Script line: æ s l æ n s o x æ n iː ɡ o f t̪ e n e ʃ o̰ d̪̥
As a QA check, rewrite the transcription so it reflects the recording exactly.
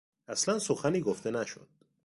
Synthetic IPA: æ s l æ n s o x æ n iː ɡ o f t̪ e n æ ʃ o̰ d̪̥